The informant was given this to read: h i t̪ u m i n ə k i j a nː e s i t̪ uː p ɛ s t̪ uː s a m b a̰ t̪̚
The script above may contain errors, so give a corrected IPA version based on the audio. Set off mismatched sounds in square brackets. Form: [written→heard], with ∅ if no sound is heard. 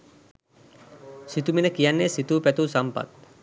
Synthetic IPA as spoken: [h→s] i t̪ u m i n ə k i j a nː e s i t̪ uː p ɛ [s→∅] t̪ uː s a m [b→p] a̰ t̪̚